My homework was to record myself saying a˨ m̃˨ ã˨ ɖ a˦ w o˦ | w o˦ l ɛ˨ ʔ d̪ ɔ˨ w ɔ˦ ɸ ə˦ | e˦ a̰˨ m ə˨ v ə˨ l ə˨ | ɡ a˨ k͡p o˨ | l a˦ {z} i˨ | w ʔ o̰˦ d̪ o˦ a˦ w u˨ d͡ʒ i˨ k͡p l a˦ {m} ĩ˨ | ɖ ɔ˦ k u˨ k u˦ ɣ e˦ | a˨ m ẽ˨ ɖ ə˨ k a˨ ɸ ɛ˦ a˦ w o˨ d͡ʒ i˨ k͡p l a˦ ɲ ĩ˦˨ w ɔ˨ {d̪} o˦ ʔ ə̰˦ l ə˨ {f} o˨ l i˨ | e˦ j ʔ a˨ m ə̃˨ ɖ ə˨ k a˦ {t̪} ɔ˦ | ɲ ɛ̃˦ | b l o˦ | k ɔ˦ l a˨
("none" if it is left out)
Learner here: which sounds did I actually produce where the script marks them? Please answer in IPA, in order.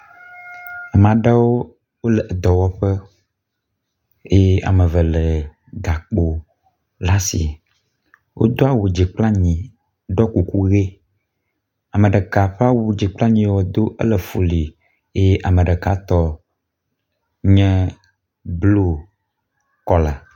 s, ɲ, d̪, f, t̪

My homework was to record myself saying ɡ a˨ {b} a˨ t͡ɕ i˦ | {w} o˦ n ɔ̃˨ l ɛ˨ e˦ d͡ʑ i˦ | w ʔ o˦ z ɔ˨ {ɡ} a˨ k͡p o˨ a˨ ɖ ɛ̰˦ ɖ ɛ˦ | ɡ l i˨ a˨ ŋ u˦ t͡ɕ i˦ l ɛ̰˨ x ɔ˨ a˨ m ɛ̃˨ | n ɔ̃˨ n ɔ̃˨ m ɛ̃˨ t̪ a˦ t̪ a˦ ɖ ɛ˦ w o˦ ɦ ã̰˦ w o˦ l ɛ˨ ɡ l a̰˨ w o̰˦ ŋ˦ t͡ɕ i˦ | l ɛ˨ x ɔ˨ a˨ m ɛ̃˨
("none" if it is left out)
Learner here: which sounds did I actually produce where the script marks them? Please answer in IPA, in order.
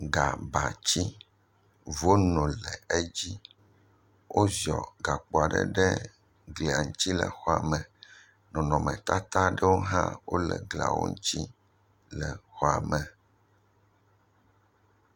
b, v, ɡ

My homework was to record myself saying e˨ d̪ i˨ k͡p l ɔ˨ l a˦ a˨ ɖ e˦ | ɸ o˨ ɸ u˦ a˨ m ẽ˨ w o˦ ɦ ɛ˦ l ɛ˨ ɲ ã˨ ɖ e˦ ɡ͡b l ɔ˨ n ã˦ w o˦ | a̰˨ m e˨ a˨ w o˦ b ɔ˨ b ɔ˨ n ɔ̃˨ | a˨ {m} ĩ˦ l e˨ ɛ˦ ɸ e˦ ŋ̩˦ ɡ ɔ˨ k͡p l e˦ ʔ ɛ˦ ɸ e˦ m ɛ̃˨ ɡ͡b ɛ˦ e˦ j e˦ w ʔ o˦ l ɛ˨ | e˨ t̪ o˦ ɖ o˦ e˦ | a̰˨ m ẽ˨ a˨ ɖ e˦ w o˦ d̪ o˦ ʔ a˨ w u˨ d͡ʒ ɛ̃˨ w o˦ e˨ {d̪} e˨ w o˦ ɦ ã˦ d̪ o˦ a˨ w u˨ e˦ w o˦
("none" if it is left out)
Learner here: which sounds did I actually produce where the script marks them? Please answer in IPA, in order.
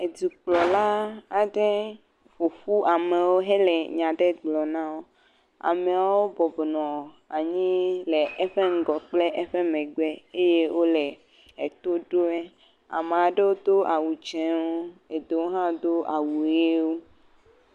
ɲ, d̪

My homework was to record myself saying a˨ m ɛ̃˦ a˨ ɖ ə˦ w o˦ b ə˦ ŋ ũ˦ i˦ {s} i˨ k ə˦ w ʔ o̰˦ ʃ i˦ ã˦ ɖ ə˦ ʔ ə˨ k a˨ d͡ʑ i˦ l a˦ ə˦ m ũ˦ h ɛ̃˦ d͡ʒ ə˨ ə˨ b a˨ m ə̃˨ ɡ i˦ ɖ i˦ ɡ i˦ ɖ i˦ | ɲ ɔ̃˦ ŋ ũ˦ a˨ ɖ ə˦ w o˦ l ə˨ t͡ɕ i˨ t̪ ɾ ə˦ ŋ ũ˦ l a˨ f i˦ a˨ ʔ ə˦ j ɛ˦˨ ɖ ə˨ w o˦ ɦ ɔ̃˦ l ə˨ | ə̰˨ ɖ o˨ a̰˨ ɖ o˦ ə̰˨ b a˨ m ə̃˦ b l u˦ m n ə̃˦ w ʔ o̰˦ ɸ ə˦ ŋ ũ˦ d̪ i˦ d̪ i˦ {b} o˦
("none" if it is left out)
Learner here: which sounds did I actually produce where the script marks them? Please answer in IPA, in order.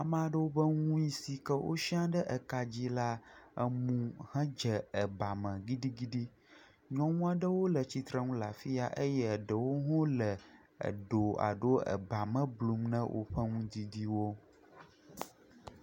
s, w

